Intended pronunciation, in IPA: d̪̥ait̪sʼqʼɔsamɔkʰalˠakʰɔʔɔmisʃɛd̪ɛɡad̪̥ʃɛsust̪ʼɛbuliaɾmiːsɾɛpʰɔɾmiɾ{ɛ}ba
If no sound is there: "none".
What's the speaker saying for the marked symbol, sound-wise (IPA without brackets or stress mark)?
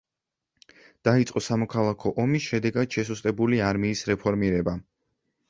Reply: ɛ